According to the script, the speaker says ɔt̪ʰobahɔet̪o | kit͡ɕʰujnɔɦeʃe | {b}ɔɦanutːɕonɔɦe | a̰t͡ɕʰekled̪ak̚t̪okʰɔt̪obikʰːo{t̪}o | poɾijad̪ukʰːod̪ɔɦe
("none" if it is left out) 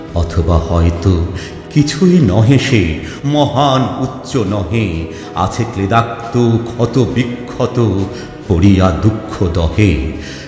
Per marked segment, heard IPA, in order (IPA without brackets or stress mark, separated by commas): m, t̪